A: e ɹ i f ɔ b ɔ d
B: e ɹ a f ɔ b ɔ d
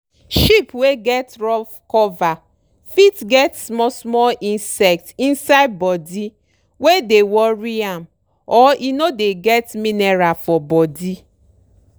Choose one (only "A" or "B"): B